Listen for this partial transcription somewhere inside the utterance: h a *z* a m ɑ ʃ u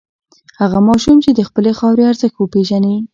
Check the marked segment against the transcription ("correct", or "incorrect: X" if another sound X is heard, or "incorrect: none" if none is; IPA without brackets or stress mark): incorrect: ɣ